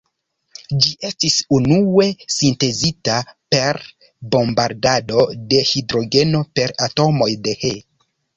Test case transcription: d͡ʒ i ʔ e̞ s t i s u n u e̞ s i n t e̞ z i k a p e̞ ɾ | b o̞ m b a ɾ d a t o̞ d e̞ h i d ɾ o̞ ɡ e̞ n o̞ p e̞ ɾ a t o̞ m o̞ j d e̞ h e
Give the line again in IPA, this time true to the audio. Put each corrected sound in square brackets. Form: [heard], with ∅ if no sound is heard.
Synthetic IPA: d͡ʒ i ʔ e̞ s t i s u n u e̞ s i n t e̞ z i [t] a p e̞ ɾ | b o̞ m b a ɾ d a [d] o̞ d e̞ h i d ɾ o̞ ɡ e̞ n o̞ p e̞ ɾ a t o̞ m o̞ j d e̞ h e